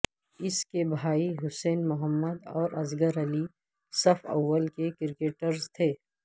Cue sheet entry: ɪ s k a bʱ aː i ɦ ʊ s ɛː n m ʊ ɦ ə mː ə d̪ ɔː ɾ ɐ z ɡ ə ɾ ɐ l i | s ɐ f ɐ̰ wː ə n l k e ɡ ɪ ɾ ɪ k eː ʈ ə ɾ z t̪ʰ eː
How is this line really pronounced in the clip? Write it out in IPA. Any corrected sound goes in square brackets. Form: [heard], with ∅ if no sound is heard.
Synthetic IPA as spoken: ɪ s k [e] bʱ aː i ɦ ʊ s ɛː n m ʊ ɦ ə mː ə d̪ ɔː ɾ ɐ z ɡ ə ɾ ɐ l i | s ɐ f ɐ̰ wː ə [∅] l k e [k] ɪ ɾ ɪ k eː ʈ ə ɾ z t̪ʰ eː